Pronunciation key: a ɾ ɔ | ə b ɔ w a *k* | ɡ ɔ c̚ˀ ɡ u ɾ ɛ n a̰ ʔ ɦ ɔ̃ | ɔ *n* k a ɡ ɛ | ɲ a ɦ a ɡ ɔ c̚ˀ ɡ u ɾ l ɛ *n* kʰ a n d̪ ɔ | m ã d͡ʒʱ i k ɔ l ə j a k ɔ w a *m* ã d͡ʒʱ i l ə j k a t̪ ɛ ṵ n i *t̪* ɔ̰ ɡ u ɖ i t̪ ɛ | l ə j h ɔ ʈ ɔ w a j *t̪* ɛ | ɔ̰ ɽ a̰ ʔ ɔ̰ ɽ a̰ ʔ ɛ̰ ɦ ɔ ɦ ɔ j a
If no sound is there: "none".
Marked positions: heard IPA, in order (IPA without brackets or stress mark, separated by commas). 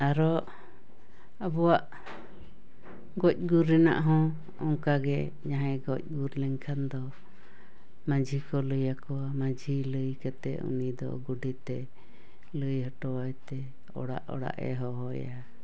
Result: ʔ, ŋ, ŋ, m, d̪, t̪